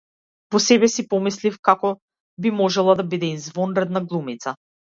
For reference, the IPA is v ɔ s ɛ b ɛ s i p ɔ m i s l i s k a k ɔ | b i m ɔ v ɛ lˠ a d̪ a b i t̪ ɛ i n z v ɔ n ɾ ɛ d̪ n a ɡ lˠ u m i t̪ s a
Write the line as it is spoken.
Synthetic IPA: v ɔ s ɛ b ɛ s i p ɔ m i s l i f k a k ɔ | b i m ɔ ʒ ɛ lˠ a d̪ a b i d̪ ɛ i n z v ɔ n ɾ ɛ d̪ n a ɡ lˠ u m i t̪ s a